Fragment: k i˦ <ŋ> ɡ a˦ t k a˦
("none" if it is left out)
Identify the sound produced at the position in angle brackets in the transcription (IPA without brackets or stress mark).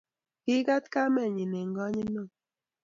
none